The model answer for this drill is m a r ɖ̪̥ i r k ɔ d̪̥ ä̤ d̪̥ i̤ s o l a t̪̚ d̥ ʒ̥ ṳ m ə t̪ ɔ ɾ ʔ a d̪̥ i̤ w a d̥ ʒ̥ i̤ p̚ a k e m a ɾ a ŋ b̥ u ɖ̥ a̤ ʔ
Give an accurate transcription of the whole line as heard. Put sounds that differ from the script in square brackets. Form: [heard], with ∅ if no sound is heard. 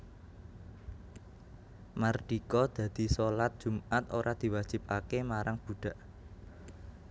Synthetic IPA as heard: m a r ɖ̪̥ i [∅] k ɔ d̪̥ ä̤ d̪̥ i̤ s o l a t̪̚ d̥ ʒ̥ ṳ m [a] t̪ [o] ɾ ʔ a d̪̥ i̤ w a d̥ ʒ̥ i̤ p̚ a k e m a ɾ a ŋ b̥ u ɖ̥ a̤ ʔ